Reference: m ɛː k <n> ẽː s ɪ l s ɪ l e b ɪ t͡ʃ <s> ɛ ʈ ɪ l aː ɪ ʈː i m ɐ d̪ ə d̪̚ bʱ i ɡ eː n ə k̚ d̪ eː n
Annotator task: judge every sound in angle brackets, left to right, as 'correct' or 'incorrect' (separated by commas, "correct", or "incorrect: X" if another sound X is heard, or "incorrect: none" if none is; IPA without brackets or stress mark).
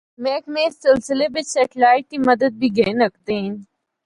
incorrect: m, correct